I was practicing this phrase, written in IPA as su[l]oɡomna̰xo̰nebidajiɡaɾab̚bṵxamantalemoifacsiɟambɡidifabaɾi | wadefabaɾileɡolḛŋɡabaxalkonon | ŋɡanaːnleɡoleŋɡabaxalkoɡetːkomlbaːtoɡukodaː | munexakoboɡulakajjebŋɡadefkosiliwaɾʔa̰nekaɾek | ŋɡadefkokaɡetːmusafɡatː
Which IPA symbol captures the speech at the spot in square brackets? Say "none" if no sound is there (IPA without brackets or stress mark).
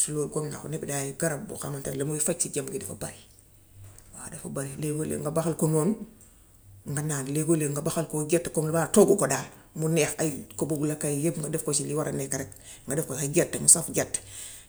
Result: l